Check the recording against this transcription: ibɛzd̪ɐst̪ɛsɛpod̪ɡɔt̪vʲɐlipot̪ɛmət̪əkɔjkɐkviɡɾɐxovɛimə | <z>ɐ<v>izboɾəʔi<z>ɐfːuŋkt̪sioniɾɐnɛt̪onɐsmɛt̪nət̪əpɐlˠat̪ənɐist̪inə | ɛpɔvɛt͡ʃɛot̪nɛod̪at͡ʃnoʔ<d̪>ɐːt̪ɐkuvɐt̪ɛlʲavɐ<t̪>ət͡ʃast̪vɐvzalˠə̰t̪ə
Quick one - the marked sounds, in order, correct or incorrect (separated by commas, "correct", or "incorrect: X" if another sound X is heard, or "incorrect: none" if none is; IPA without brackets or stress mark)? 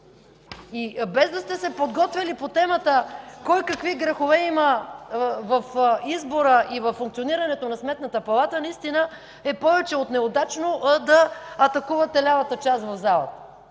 incorrect: v, incorrect: f, incorrect: v, correct, correct